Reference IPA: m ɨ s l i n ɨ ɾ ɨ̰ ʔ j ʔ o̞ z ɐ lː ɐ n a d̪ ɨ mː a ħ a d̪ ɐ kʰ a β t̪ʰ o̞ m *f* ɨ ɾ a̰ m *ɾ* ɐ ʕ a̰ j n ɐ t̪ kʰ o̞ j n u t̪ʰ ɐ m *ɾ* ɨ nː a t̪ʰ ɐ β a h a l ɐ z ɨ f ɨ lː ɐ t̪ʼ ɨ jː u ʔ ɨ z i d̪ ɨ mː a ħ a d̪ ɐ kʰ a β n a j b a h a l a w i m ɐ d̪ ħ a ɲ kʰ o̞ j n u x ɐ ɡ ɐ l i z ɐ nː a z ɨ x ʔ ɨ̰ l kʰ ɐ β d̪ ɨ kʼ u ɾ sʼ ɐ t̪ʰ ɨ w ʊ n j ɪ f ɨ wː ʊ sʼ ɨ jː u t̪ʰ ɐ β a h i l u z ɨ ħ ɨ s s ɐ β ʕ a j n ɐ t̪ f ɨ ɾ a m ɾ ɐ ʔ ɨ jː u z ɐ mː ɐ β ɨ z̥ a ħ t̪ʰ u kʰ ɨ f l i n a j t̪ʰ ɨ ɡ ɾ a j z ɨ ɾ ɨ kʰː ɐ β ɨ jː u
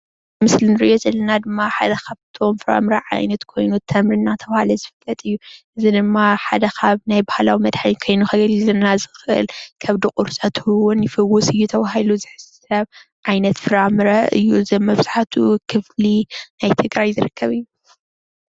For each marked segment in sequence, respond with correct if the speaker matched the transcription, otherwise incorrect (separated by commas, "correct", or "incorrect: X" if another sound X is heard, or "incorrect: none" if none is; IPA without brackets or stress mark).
correct, correct, correct